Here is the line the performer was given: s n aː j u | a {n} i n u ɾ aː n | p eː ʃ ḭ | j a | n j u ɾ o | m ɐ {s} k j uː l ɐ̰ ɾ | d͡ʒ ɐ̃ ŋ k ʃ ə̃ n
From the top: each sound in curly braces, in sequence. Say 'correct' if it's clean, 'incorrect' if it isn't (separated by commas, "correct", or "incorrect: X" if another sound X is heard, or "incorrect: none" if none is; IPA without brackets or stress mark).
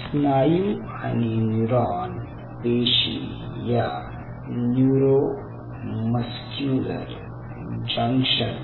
correct, correct